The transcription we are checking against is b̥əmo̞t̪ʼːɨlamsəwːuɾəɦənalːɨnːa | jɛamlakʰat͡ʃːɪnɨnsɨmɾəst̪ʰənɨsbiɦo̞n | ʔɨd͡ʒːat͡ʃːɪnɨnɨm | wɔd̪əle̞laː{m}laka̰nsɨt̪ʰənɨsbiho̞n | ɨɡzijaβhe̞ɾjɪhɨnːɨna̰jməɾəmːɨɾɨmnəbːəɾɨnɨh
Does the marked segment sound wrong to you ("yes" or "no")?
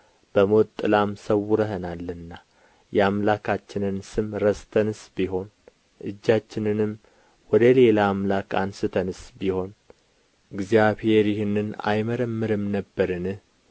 no